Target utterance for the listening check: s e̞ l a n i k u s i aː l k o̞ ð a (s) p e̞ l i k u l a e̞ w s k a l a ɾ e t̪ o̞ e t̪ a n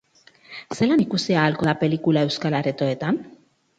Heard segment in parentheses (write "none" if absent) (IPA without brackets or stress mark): none